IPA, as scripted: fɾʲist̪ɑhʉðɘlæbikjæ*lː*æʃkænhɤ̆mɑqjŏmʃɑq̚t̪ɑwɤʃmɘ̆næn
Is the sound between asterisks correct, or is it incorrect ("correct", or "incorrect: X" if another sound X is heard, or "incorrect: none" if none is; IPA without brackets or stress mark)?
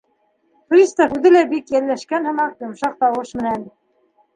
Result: correct